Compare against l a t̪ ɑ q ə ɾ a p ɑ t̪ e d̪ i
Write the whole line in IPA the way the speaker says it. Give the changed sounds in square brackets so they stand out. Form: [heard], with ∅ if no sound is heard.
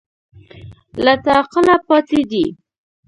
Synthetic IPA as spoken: l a t̪ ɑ q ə [l] a p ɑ t̪ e d̪ i